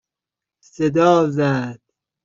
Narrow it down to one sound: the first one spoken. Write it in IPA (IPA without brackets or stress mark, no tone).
s